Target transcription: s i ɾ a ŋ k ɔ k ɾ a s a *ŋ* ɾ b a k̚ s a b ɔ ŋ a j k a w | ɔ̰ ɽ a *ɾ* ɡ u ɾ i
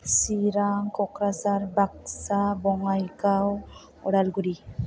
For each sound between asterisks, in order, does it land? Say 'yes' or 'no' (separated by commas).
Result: no, no